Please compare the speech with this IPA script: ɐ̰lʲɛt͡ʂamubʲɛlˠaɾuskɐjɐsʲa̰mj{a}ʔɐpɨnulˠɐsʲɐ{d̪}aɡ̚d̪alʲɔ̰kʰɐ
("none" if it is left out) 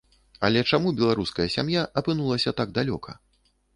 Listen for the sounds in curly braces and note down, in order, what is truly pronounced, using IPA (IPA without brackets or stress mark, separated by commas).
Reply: a, t̪